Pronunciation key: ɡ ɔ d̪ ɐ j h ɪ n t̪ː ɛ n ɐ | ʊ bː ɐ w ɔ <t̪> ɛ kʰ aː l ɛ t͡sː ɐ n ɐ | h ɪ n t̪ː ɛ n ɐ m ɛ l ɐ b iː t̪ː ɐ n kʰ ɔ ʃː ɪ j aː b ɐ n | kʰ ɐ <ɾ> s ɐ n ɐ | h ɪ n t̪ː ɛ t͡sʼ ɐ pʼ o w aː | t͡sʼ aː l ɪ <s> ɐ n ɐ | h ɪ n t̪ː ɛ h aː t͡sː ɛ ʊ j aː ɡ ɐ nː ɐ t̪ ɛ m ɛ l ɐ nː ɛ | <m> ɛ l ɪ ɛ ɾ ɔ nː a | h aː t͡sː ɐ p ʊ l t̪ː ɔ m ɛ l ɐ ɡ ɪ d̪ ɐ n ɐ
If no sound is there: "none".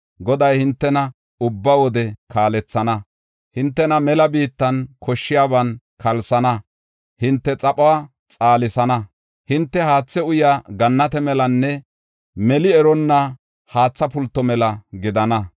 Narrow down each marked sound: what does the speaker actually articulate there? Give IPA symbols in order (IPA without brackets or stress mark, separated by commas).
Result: d̪, l, s, m